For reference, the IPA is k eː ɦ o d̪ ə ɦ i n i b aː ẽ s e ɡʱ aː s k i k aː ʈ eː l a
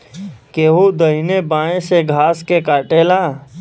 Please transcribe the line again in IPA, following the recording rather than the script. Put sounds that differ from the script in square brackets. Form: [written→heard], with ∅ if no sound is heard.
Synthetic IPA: k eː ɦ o d̪ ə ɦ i n [i→e] b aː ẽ s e ɡʱ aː s k [i→e] k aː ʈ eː l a

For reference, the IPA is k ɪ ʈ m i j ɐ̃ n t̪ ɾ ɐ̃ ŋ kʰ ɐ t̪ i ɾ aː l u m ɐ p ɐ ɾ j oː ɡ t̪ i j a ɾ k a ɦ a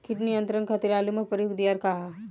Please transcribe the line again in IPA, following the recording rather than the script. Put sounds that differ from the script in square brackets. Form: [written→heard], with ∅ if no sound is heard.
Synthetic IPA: k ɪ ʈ [m→n] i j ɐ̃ n t̪ ɾ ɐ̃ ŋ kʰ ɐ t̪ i ɾ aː l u m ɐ p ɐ ɾ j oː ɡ [t̪→d̪] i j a ɾ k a ɦ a

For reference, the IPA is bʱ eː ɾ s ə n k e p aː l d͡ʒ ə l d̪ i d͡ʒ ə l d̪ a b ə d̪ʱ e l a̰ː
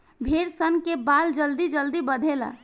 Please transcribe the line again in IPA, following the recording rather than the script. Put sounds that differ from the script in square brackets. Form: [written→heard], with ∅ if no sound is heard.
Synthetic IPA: bʱ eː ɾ s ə n k e [p→b] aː l d͡ʒ ə l d̪ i d͡ʒ ə l d̪ [a→i] b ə d̪ʱ e l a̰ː

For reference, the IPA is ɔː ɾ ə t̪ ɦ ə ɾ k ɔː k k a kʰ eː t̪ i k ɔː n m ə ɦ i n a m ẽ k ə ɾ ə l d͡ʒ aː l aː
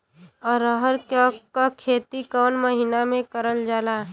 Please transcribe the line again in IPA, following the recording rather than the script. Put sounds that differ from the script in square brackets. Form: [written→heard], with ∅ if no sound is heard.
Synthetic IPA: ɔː ɾ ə [t̪→∅] ɦ ə ɾ k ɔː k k a kʰ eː t̪ i k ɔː n m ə ɦ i n a m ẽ k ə ɾ ə l d͡ʒ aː l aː

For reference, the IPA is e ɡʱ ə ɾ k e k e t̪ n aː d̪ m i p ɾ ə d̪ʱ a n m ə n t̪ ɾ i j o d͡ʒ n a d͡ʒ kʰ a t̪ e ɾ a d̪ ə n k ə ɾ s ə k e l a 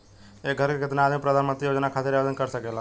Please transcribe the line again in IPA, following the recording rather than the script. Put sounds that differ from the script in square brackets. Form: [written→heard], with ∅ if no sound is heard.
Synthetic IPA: e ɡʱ ə ɾ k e k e t̪ n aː d̪ m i p ɾ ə d̪ʱ a n m ə n t̪ ɾ i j o d͡ʒ n a [d͡ʒ→∅] kʰ a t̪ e ɾ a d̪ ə n k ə ɾ s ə k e l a

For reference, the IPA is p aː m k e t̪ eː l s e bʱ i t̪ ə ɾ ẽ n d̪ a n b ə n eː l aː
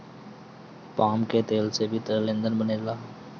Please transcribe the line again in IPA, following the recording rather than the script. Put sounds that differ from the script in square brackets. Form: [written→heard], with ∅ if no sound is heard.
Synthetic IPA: p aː m k e t̪ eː l s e bʱ i t̪ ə [ɾ→l] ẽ n d̪ [a→ə] n b ə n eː l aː

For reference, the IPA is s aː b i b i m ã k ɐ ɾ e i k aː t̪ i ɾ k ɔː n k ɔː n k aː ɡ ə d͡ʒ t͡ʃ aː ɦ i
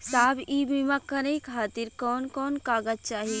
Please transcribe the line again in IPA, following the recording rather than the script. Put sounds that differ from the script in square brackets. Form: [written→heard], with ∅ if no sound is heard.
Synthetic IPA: s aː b i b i m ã k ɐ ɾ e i [k→kʰ] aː t̪ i ɾ k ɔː n k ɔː n k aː ɡ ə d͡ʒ t͡ʃ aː ɦ i

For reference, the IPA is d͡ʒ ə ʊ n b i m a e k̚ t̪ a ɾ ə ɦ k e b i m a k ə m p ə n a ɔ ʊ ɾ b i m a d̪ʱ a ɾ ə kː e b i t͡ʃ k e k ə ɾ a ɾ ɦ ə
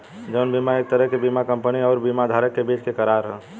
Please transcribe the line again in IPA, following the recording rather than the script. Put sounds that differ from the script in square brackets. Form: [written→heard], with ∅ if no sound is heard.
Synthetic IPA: d͡ʒ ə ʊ n b i m a e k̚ t̪ [a→ə] ɾ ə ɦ k e b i m a k ə m p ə n [a→i] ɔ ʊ ɾ b i m a d̪ʱ a ɾ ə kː e b i t͡ʃ k e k ə ɾ a ɾ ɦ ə

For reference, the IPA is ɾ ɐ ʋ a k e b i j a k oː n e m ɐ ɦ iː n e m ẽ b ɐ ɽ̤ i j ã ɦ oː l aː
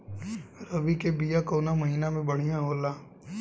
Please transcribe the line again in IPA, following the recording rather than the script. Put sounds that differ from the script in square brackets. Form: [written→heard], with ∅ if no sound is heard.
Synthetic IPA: ɾ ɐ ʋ [a→i] k e b i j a k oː n [e→a] m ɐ ɦ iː n [e→a] m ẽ b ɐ ɽ̤ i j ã ɦ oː l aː

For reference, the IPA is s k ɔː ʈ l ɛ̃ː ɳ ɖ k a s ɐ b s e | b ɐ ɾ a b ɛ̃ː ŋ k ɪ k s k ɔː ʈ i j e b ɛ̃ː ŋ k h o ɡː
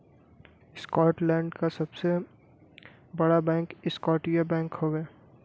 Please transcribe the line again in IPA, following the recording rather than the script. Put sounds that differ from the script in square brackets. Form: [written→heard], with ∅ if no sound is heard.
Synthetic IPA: s k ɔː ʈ l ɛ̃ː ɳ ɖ k a s ɐ b s e | b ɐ [ɾ→ɽ] a b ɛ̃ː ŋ k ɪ [k→∅] s k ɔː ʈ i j [e→a] b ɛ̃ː ŋ k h o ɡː

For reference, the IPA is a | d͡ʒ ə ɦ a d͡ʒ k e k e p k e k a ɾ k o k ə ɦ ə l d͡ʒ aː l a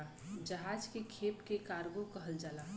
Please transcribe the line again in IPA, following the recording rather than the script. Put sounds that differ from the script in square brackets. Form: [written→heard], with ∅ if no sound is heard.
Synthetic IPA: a | d͡ʒ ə ɦ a d͡ʒ k e [k→kʰ] e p k e k a ɾ [k→ɡ] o k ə ɦ ə l d͡ʒ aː l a

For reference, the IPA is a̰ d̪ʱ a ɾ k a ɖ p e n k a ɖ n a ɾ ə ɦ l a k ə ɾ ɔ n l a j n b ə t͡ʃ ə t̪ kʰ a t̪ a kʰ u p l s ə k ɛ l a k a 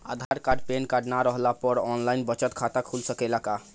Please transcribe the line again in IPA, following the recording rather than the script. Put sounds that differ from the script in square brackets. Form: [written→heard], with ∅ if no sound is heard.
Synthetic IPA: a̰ d̪ʱ a ɾ k a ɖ p e n k a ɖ n a ɾ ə ɦ l a [k→p] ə ɾ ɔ n l a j n b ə t͡ʃ ə t̪ kʰ a t̪ a kʰ u [p→∅] l s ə k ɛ l a k a

